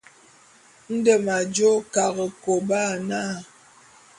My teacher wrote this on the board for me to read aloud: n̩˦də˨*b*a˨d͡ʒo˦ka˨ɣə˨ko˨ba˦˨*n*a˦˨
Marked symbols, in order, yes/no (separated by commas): no, yes